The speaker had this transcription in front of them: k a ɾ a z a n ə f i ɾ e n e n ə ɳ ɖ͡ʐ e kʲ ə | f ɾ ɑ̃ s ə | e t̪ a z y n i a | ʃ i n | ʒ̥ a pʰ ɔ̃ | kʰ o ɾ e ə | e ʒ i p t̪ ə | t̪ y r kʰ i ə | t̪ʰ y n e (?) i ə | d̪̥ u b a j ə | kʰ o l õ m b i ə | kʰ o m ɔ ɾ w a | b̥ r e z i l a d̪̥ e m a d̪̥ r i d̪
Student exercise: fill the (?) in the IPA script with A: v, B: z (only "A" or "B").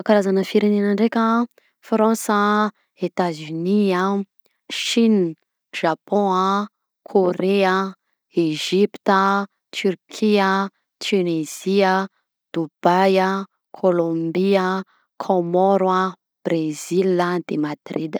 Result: B